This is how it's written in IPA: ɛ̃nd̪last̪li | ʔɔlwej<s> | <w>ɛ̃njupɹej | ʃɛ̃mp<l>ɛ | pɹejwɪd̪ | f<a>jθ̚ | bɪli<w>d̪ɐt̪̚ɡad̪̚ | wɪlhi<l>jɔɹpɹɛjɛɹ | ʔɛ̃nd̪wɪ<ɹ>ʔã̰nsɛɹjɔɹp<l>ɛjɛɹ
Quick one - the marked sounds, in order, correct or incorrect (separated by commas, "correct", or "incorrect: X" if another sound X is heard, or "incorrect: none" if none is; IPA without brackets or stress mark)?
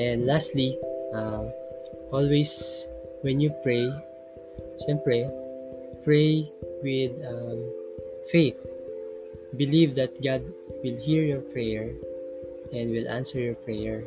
correct, correct, incorrect: ɹ, incorrect: e, incorrect: v, incorrect: ɹ, incorrect: l, incorrect: ɹ